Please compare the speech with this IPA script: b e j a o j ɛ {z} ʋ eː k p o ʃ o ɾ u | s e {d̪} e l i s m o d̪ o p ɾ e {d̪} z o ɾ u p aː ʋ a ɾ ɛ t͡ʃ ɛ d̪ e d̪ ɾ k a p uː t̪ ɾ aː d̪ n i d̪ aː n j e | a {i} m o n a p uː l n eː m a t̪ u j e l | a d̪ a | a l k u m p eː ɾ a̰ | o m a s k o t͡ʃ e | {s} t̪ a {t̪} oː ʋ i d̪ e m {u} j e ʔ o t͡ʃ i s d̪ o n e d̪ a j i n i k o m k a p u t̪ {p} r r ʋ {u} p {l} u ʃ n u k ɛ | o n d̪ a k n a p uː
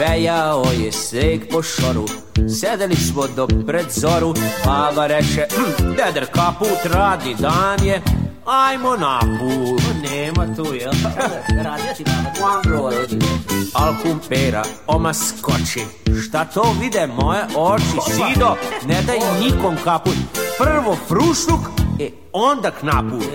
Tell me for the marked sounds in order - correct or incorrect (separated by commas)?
incorrect, correct, correct, incorrect, incorrect, correct, incorrect, correct, incorrect, incorrect